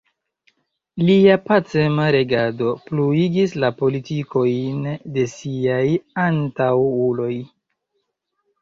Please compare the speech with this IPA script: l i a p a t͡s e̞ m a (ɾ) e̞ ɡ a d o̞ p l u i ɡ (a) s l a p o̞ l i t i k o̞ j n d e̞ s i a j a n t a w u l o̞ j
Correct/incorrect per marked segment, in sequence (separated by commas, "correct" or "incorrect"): correct, incorrect